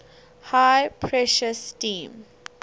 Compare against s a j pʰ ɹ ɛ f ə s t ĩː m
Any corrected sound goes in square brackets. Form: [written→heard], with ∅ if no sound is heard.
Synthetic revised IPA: [s→h] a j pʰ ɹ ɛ [f→ʃ] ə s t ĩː m